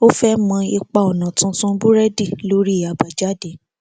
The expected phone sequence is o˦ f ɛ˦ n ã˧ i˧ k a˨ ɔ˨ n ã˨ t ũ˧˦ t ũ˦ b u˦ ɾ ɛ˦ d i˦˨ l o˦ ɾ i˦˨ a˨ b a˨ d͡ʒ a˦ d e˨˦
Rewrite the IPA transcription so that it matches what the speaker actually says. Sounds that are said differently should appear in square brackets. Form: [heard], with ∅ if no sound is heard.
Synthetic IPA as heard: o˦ f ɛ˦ [m] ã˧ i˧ [k͡p] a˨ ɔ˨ n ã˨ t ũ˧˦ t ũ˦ b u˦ ɾ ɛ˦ d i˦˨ l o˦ ɾ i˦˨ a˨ b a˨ d͡ʒ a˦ d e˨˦